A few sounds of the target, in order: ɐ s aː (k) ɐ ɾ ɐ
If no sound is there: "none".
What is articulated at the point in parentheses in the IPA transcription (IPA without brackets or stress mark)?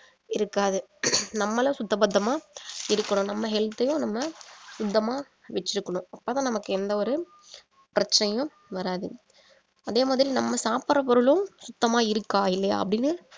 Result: p